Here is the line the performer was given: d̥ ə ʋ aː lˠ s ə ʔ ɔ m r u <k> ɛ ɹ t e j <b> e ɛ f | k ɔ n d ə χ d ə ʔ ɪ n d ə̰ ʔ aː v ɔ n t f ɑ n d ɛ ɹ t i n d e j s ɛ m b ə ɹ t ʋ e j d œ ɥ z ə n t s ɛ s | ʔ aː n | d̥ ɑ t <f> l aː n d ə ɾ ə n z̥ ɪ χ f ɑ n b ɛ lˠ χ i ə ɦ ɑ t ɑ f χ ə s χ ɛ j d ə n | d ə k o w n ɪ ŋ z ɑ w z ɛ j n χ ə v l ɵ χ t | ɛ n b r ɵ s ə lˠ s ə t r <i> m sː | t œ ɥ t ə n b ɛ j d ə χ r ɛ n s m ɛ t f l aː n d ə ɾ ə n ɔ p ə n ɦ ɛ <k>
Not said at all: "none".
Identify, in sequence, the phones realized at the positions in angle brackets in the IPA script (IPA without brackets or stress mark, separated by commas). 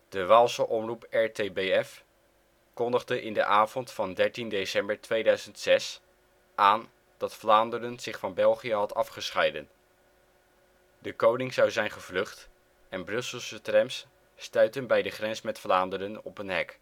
p, b, f, ɛ, k